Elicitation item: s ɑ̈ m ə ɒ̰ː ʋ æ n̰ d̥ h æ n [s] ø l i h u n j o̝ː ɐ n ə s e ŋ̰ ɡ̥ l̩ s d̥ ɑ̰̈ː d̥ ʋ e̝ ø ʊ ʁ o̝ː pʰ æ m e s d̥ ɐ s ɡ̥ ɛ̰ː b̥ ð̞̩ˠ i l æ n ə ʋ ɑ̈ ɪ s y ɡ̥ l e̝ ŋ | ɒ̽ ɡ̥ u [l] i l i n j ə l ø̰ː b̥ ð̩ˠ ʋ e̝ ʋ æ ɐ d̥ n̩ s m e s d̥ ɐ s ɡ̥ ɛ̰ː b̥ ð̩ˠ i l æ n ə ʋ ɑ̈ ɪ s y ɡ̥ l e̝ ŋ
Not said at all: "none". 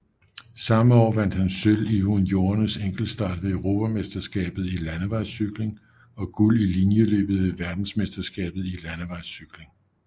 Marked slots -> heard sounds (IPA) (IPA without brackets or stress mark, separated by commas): s, l